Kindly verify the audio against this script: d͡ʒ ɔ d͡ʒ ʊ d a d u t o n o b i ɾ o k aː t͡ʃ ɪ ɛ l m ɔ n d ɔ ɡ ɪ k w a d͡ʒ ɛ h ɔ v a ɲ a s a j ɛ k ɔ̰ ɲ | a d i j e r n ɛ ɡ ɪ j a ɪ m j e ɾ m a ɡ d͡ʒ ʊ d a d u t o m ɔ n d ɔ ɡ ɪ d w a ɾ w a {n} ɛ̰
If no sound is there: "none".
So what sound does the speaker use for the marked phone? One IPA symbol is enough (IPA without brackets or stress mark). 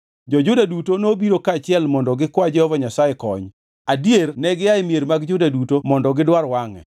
ŋ